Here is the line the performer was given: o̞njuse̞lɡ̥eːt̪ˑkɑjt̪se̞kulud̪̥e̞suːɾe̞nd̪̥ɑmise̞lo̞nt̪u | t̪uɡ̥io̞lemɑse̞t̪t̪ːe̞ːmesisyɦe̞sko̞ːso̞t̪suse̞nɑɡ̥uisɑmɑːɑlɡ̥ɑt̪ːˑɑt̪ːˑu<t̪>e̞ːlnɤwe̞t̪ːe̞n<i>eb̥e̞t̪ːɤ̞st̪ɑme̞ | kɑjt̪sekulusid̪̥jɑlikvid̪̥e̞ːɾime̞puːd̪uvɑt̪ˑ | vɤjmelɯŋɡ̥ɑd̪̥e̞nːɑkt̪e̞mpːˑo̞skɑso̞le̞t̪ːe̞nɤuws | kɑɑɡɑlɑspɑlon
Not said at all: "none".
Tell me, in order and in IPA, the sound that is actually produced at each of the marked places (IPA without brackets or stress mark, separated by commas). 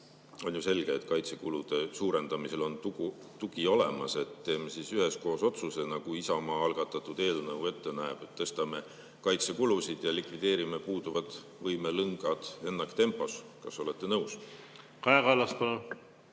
d̪, æ